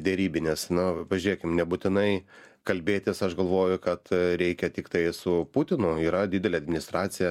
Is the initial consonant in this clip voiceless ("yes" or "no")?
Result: no